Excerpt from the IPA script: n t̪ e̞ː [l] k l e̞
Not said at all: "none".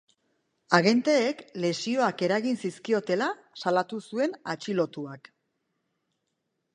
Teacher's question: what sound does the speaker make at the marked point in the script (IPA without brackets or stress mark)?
none